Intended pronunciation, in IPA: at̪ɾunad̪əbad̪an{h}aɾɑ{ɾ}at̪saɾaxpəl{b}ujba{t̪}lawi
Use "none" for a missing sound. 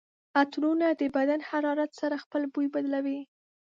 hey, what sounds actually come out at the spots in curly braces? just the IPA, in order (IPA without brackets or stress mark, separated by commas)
h, ɾ, b, d̪